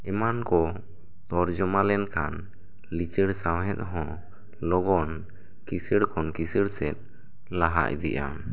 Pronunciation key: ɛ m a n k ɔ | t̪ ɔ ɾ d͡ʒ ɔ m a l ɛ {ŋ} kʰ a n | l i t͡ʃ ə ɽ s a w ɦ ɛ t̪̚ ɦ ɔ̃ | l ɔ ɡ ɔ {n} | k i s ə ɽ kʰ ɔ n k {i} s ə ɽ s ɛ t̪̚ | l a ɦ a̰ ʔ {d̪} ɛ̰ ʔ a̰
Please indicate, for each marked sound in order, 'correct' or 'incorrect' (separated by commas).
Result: incorrect, correct, correct, correct